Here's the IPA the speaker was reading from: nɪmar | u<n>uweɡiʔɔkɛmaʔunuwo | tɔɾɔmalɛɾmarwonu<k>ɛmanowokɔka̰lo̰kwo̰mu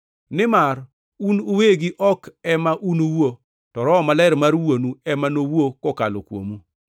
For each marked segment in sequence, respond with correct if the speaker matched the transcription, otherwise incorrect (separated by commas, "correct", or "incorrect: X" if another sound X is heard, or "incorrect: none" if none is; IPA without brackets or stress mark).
correct, incorrect: none